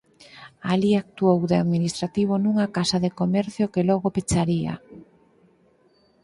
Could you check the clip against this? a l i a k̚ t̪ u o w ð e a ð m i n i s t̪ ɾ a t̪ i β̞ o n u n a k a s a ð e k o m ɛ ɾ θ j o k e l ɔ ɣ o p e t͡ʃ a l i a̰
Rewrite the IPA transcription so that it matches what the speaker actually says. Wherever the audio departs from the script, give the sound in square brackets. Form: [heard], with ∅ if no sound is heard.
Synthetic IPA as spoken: a l i a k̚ t̪ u o w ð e a ð m i n i s t̪ ɾ a t̪ i β̞ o n u [ŋ] a k a s a ð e k o m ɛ ɾ θ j o k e l ɔ ɣ o p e t͡ʃ a [ɾ] i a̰